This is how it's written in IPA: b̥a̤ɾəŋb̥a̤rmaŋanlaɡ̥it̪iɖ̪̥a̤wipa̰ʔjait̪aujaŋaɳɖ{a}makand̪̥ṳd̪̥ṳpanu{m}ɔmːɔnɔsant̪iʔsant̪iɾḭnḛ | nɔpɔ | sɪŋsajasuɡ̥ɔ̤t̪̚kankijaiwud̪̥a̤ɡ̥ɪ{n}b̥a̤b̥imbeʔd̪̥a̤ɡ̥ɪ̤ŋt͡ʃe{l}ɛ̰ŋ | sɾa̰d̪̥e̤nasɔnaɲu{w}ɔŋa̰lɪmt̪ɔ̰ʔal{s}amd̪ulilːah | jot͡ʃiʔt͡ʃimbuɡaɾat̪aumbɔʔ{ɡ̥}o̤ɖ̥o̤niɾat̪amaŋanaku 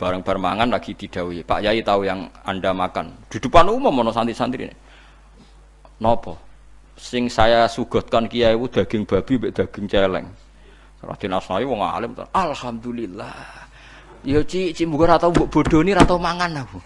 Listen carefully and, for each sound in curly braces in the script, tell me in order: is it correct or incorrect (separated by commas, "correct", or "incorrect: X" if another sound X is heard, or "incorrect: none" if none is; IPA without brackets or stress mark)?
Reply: correct, correct, incorrect: ŋ, correct, correct, incorrect: h, incorrect: b̥